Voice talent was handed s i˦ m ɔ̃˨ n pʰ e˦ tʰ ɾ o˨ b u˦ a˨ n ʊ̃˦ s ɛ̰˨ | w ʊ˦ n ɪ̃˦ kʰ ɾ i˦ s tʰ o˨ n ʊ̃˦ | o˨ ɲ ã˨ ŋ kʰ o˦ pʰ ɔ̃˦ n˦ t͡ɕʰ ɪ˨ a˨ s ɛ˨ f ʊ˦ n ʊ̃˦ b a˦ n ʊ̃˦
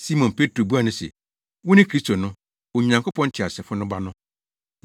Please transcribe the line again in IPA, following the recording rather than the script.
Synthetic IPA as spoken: s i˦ m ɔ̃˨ n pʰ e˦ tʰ ɾ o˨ b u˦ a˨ n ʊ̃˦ s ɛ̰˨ | w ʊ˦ n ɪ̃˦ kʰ ɾ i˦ s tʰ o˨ n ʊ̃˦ | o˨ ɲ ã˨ ŋ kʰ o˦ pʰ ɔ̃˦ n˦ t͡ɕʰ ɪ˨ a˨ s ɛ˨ f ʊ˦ n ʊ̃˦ b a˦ n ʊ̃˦

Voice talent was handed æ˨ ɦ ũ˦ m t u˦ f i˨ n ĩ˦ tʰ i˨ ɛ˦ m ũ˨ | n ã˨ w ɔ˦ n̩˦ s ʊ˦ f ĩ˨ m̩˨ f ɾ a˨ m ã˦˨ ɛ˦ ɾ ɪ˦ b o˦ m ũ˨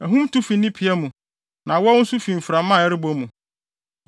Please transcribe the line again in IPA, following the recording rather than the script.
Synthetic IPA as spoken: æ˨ ɦ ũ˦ m t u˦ f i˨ n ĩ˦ pʰ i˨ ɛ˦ m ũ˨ | n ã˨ w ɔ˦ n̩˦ s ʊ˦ f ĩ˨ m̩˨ f ɾ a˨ m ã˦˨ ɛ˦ ɾ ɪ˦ b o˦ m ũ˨

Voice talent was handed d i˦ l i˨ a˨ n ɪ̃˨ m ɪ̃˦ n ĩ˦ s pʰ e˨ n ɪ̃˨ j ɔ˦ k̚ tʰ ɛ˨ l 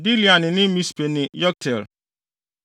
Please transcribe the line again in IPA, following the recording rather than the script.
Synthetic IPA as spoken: d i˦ l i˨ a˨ n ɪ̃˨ n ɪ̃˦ m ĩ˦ s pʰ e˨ n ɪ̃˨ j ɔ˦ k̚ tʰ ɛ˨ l

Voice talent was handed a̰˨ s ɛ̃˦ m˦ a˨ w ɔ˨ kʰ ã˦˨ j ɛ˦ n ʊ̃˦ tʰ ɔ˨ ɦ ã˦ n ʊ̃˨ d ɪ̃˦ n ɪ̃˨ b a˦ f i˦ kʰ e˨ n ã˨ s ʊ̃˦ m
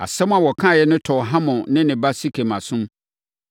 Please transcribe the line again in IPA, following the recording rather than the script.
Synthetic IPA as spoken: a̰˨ s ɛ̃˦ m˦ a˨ w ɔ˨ kʰ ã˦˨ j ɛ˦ n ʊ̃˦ tʰ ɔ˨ ɦ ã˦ m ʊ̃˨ n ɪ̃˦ n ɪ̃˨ b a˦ s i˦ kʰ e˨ m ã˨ s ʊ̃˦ m

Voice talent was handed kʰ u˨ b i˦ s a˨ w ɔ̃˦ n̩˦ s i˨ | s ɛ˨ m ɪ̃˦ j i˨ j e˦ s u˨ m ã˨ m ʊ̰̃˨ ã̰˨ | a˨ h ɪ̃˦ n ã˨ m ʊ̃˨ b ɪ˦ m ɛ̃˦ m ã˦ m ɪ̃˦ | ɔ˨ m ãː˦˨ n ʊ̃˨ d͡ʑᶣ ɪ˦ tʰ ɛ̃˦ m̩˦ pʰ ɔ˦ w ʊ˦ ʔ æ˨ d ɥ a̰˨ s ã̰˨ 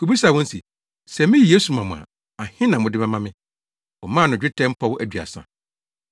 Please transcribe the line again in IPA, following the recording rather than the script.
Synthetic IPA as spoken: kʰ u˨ b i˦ s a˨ w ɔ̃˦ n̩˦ s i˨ | s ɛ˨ m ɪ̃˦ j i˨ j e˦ s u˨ m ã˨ m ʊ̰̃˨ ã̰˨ | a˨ h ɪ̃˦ n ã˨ m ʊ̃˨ d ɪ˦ m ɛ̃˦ m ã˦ m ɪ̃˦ | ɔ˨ m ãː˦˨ n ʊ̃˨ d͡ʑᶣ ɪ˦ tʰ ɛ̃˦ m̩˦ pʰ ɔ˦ w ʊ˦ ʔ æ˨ d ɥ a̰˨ s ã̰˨

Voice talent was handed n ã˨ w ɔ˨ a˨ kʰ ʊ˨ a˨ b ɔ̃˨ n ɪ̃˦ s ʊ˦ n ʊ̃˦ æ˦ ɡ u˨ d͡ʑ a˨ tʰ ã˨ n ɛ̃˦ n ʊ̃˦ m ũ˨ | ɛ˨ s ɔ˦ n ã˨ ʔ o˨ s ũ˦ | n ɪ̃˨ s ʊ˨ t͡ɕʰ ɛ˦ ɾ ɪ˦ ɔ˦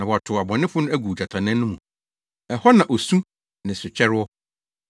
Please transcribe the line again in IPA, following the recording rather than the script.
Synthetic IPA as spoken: n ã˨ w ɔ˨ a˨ tʰ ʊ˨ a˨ b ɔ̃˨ n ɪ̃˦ f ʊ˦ n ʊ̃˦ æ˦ ɡ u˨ d͡ʑ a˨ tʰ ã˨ n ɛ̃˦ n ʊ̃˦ m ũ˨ | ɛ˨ h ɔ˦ n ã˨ ʔ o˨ s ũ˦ | n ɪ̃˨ s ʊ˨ t͡ɕʰ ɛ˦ ɾ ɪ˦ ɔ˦

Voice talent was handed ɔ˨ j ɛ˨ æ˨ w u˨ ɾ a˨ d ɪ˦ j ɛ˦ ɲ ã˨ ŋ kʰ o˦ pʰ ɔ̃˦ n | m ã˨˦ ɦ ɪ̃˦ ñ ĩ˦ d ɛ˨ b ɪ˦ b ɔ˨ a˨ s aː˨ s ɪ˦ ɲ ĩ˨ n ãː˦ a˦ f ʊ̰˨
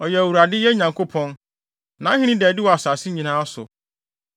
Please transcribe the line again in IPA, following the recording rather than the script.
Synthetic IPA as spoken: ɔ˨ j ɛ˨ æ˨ w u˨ ɾ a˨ d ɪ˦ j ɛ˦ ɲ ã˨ ŋ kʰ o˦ pʰ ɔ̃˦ n | n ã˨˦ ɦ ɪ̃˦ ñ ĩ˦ d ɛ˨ d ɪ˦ w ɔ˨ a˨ s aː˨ s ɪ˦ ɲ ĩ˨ n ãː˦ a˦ s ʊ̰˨

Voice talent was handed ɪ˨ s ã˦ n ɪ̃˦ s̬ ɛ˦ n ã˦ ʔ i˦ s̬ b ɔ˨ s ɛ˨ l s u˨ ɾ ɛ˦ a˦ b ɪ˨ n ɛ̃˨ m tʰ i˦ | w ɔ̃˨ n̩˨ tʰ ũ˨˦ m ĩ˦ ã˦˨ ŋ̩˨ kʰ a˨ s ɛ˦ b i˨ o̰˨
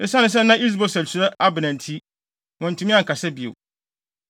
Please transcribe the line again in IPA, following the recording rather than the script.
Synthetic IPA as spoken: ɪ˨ s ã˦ n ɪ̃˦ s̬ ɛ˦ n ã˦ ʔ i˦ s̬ b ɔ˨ s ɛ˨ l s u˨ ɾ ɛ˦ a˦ b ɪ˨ n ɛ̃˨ n tʰ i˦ | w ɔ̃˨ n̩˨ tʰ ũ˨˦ m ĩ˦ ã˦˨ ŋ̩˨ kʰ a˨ s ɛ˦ b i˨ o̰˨

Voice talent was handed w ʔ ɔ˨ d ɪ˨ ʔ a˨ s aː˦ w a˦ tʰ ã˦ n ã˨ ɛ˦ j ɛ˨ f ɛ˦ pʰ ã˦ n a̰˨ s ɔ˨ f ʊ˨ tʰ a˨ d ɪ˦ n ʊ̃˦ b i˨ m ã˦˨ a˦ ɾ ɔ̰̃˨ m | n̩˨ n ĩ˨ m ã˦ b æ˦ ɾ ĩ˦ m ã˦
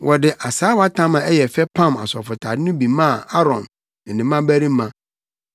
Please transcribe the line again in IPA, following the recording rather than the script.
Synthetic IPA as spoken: w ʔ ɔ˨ d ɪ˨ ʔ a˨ s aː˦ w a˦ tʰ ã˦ m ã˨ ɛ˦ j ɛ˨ f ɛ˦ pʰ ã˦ m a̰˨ s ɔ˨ f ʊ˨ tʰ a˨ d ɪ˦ n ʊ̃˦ b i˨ m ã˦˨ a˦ ɾ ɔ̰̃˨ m | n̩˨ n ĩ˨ m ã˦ b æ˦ ɾ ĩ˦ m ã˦

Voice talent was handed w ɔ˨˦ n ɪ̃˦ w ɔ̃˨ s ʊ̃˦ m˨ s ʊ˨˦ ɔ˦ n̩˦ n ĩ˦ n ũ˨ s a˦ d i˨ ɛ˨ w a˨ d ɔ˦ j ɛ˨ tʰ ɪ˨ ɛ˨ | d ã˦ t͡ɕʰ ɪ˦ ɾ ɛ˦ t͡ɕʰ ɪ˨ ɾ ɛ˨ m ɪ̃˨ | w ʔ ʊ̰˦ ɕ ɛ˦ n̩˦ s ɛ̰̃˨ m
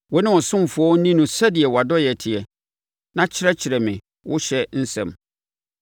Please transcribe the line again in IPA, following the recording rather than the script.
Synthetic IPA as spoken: w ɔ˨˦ n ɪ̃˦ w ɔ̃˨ s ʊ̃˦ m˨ f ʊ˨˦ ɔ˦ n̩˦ n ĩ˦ n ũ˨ s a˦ d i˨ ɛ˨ w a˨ d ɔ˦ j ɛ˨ tʰ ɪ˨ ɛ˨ | n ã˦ t͡ɕʰ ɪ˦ ɾ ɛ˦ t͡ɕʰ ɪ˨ ɾ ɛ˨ m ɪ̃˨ | w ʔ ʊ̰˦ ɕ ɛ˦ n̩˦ s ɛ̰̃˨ m

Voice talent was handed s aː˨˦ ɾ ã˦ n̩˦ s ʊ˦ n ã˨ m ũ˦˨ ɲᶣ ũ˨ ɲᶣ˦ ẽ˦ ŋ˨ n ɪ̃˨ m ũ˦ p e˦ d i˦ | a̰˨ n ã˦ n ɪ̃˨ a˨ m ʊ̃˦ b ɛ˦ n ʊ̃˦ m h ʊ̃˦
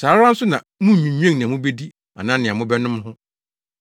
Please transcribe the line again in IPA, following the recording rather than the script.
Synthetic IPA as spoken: s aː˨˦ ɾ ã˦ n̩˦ s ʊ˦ n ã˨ m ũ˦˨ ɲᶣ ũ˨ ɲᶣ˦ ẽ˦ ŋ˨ n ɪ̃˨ m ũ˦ b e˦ d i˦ | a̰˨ n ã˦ n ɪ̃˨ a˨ m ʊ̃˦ b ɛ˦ n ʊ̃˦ m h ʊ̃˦

